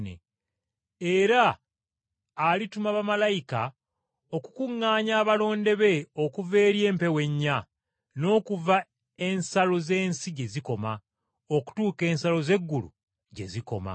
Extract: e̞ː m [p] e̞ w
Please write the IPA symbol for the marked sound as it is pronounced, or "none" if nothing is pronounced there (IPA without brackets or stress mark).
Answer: p